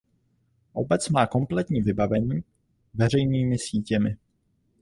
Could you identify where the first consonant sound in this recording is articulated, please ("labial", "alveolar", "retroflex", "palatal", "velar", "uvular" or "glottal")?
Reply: glottal